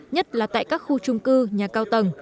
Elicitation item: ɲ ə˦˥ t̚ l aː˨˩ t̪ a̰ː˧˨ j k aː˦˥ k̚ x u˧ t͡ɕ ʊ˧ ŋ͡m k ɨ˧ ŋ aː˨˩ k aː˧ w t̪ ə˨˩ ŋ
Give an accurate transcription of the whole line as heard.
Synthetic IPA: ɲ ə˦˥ t̚ l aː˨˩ t̪ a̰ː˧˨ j k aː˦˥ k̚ x u˧ t͡ɕ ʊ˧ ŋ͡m k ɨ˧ ɲ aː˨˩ k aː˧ w t̪ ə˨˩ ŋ

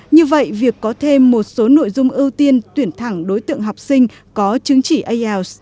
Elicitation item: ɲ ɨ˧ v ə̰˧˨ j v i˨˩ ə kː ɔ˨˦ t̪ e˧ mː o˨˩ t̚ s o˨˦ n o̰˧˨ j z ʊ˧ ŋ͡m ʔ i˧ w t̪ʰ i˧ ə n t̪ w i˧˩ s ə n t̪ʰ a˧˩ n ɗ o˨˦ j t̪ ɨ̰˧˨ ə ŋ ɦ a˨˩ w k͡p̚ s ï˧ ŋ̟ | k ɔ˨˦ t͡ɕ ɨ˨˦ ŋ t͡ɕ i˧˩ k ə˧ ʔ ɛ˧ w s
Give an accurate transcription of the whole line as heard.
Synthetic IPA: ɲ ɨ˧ v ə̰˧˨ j v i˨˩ ə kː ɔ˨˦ t̪ʰ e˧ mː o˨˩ t̚ s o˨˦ n o̰˧˨ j z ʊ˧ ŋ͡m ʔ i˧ w t̪ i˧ ə n t̪ w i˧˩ ə n t̪ʰ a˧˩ ŋ ɗ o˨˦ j t̪ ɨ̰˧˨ ə ŋ ɦ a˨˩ w k͡p̚ s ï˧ ŋ̟ | k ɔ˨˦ t͡ɕ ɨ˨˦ ŋ t͡ɕ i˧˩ ʔ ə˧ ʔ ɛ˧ w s

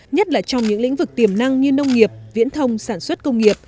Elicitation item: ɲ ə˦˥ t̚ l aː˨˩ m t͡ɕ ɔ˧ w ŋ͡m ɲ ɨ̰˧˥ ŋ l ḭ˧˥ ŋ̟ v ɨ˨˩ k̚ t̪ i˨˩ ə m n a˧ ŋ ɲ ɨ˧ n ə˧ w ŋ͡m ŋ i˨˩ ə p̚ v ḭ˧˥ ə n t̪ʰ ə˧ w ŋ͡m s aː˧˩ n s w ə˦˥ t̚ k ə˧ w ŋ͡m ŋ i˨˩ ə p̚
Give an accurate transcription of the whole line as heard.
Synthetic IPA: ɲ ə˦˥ t̚ l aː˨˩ t͡ɕ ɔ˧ w ŋ͡m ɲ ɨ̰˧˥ ŋ l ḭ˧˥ ŋ̟ v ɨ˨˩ k̚ t̪ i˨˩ ə m n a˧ ŋ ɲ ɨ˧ n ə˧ w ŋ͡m ŋ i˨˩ ə p̚ v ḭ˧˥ ə n t̪ʰ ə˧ w ŋ͡m s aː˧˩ n s w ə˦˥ t̚ k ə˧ w ŋ͡m ŋ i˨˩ ə p̚

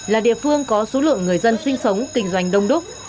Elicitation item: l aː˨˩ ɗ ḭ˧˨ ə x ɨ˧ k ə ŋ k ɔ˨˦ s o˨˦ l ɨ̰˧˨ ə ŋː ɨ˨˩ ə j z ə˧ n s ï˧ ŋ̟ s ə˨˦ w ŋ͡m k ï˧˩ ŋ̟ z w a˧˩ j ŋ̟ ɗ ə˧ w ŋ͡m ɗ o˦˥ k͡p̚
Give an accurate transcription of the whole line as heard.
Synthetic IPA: l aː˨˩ ɗ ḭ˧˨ ə f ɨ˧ ə ŋ k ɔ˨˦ s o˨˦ l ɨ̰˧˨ ə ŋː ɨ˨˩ ə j z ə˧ n s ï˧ ŋ̟ s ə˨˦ w ŋ͡m k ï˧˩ ŋ̟ z w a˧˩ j ŋ̟ ɗ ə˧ w ŋ͡m ɗ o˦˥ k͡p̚

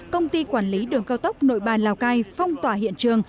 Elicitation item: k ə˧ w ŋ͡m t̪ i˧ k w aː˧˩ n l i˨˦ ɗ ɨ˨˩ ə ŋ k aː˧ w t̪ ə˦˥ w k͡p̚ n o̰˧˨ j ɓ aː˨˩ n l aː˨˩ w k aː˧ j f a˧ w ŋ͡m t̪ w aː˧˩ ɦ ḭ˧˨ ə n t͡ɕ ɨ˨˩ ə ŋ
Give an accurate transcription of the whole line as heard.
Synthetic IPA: k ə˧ w ŋ͡m t̪ i˧ k w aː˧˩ n l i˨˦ ɗ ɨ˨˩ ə ŋ k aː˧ w t̪ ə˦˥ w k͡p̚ n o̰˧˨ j ɓ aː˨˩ n l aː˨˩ w k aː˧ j f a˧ w ŋ͡m t̪ w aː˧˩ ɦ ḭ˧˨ ə n t͡ɕ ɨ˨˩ ə ŋ

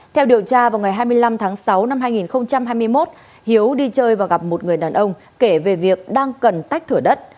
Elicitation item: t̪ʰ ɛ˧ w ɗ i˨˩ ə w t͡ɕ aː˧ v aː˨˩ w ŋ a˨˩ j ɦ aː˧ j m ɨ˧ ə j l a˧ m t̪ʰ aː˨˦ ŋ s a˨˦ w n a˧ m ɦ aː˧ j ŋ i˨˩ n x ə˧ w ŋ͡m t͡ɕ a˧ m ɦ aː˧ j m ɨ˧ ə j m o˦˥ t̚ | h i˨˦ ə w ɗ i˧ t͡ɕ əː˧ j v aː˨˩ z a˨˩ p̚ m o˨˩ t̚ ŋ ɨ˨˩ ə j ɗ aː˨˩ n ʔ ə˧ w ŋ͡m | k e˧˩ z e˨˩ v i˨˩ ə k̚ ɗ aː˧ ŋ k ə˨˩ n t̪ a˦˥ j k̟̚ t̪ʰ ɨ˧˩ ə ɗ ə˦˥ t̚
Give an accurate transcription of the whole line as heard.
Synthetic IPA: t̪ʰ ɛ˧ w ɗ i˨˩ ə w t͡ɕ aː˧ v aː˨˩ w ŋ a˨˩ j ɦ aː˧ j m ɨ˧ ə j l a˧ m t̪ʰ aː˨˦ ŋ s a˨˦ w n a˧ m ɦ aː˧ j ŋ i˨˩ n x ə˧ w ŋ͡m t͡ɕ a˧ m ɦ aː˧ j m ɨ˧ ə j m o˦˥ t̚ | h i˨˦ ə w ɗ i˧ t͡ɕ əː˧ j v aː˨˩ ɣ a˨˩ p̚ m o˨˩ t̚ ŋ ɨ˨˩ ə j ɗ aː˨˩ n ʔ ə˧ w ŋ͡m | k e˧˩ v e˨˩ v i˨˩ ə k̚ ɗ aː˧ ŋ k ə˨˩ n t̪ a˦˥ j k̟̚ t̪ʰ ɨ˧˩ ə ɗ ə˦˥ t̚

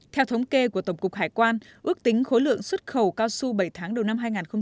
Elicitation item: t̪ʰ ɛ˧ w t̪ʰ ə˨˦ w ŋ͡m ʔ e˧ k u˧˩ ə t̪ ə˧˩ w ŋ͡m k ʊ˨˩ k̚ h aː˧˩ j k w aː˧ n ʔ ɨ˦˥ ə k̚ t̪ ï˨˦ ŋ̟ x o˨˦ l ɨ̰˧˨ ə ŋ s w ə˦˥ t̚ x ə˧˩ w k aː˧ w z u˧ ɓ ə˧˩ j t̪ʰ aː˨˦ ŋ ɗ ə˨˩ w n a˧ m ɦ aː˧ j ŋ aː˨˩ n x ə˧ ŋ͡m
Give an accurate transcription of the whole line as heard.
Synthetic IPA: t̪ʰ ɛ˧ w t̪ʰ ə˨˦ w ŋ͡m k e˧ k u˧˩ ə t̪ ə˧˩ w ŋ͡m k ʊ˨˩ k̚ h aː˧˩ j k w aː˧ n ʔ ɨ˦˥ ə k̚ t̪ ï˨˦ ŋ̟ x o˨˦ l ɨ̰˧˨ ə ŋ s w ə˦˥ t̚ x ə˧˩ w k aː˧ w s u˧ ɓ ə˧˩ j t̪ʰ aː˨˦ ŋ ɗ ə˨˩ w n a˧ m ɦ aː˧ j ŋ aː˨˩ n x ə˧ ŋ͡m

